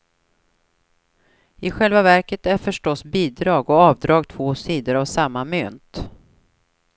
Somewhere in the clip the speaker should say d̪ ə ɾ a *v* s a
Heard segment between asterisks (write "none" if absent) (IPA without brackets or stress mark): v